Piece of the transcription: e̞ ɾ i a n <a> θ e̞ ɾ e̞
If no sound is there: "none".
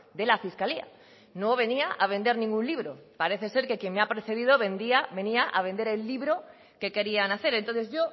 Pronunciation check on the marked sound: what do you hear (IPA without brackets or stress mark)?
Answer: a